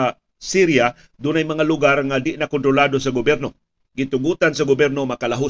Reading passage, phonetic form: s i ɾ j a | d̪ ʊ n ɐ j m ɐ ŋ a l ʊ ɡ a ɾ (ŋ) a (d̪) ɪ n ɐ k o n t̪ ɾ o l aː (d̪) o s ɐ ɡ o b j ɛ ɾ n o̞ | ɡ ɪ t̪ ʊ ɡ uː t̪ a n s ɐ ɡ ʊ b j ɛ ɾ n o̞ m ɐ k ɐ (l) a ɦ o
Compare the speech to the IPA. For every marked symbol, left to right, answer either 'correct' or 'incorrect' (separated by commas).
correct, correct, correct, correct